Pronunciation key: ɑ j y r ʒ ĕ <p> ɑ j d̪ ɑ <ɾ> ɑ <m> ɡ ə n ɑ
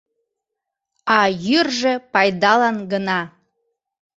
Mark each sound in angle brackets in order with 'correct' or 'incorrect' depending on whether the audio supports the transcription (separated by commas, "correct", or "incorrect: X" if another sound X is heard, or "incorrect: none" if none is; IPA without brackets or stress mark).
correct, incorrect: l, incorrect: n